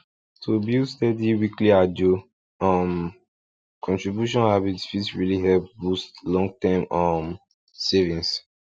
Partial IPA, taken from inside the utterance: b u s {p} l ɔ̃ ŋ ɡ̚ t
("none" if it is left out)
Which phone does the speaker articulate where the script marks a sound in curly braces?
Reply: t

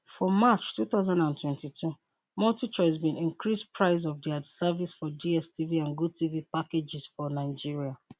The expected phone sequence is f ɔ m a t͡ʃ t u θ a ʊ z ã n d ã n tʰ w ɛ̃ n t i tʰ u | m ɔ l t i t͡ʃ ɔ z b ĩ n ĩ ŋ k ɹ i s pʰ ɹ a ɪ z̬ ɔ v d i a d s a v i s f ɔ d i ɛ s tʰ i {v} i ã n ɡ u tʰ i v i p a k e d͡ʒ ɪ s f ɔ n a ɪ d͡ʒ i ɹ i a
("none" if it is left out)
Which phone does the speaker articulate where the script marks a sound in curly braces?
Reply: v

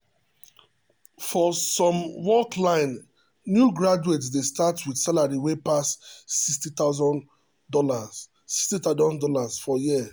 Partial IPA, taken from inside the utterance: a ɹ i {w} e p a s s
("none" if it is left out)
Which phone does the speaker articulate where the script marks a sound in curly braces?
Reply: w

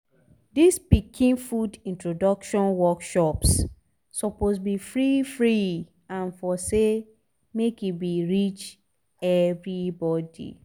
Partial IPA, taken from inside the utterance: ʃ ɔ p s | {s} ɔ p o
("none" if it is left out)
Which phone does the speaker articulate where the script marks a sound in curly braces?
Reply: s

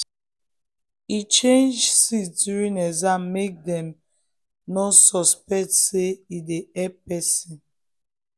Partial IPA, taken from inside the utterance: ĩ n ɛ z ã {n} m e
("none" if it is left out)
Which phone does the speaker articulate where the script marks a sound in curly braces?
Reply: m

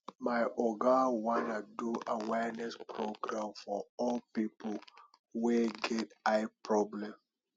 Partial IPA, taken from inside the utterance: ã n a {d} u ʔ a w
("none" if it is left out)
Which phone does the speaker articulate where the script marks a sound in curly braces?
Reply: d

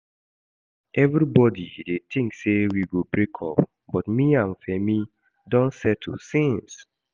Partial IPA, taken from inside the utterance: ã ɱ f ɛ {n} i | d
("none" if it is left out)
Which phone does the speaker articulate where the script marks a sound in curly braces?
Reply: m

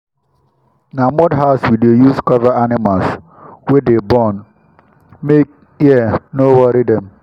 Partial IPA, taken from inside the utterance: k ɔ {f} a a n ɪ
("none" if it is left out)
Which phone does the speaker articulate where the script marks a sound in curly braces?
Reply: v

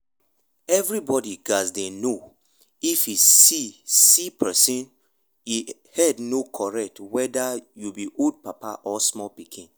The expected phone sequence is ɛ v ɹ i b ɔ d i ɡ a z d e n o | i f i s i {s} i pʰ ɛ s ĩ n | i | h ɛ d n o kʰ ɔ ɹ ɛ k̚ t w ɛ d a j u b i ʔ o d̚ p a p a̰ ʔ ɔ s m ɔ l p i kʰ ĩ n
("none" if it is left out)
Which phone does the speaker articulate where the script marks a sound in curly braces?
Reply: s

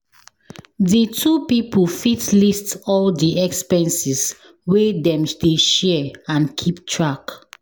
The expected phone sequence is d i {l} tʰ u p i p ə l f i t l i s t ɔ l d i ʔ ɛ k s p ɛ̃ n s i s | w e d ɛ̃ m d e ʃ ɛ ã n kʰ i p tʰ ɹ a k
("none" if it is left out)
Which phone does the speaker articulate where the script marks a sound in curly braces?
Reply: none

